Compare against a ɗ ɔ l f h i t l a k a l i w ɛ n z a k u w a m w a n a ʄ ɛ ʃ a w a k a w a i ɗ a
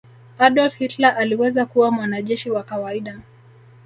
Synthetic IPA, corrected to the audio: a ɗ ɔ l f h i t l a ʔ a l i w ɛ z a k u w a m w a n a ʄ ɛ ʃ i w a k a w a i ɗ a